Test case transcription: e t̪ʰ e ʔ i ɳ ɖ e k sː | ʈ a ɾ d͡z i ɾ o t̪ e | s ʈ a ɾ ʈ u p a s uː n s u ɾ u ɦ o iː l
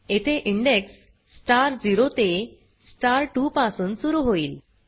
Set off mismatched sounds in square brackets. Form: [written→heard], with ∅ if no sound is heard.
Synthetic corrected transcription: e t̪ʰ e ʔ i ɳ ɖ e k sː | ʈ a ɾ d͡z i ɾ o t̪ e | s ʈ a ɾ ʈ u p a s uː n s u ɾ u ɦ o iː l